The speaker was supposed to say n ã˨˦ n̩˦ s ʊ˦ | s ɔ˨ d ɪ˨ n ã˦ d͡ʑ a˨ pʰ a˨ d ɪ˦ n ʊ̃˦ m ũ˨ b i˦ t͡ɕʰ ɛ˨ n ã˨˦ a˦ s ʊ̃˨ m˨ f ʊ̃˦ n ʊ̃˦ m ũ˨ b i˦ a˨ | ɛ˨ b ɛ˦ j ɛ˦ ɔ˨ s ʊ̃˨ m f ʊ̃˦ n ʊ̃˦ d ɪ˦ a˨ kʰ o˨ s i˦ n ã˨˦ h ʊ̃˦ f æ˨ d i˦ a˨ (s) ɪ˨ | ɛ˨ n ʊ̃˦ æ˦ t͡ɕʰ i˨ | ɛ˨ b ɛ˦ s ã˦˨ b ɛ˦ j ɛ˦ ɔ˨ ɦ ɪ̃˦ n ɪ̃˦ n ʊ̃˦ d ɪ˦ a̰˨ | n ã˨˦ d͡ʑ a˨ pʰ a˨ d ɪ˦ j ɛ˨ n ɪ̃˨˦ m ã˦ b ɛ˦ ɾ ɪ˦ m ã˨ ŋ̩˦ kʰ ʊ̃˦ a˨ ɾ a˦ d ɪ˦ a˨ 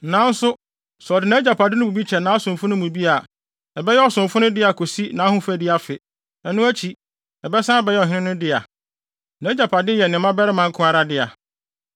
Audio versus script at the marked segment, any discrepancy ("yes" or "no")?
yes